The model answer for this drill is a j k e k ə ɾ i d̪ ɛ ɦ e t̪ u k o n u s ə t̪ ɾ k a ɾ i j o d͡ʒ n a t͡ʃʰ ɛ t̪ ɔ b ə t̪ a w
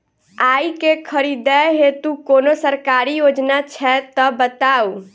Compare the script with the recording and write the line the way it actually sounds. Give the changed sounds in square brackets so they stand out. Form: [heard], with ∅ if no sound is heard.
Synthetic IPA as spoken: a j k e [kʰ] ə ɾ i d̪ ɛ ɦ e t̪ u k o n [o] s ə [∅] ɾ k a ɾ i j o d͡ʒ n a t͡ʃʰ ɛ t̪ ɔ b ə t̪ a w